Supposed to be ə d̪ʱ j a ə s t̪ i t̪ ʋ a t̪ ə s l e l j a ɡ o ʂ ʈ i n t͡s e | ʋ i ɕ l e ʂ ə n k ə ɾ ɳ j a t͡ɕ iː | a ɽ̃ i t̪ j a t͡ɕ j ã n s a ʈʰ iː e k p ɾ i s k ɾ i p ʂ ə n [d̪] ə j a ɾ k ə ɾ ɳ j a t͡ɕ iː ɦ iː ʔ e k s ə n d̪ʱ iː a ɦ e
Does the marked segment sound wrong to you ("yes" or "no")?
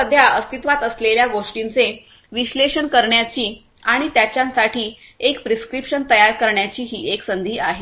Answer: yes